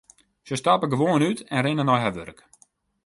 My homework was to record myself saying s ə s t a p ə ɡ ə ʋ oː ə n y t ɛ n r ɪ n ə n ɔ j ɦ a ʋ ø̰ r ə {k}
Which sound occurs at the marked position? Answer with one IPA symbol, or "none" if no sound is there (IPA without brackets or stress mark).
k